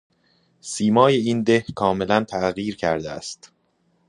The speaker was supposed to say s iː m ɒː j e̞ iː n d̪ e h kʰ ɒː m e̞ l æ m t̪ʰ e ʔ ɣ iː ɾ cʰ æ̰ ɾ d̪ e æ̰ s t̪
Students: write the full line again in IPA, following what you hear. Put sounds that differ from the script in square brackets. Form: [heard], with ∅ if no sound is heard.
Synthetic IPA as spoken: s iː m ɒː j e̞ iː n d̪ e h kʰ ɒː m e̞ l æ [n] t̪ʰ [æ] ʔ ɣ iː ɾ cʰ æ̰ ɾ d̪ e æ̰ s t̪